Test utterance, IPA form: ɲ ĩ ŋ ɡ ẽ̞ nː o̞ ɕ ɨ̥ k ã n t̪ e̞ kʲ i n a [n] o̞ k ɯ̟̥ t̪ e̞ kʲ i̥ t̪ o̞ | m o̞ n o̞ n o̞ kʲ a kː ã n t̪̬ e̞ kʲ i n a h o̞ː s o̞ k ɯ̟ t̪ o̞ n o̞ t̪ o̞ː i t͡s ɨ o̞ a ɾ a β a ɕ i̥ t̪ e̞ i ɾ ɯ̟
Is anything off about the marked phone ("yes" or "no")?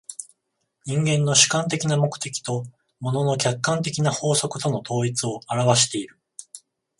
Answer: yes